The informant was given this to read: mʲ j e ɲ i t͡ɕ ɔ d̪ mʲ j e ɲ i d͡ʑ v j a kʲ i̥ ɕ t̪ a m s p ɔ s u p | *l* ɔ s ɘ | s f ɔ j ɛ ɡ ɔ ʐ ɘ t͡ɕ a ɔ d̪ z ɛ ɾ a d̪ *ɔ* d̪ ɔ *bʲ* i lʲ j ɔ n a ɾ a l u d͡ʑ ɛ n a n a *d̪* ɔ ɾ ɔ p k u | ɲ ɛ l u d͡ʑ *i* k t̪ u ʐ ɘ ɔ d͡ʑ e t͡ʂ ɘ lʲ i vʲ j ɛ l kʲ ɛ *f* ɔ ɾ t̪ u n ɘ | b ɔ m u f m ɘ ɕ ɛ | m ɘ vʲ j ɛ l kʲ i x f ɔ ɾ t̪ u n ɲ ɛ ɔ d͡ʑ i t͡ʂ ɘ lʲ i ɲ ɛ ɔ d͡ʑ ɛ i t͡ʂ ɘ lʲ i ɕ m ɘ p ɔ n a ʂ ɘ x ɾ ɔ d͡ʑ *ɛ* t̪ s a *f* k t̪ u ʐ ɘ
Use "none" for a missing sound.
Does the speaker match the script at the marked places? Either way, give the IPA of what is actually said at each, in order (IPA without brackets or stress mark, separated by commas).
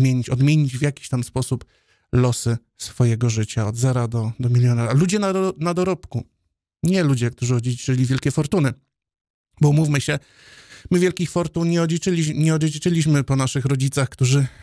l, ɔ, mʲ, d̪, ɛ, f, i, x